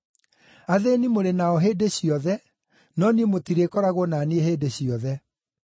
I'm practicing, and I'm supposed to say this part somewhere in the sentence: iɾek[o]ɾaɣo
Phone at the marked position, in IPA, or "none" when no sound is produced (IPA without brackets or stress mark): ɔ